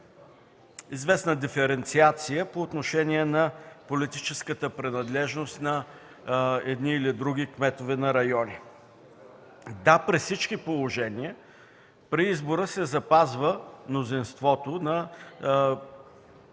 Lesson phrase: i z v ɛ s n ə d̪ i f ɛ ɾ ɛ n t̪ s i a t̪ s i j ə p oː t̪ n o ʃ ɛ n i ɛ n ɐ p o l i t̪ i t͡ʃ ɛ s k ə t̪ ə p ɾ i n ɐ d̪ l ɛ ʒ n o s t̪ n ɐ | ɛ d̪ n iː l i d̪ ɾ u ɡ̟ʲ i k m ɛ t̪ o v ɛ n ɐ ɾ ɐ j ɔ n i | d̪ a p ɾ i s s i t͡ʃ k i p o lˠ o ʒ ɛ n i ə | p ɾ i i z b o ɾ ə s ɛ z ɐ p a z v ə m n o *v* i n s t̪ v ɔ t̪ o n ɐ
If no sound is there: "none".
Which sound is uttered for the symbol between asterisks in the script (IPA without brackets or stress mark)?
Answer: z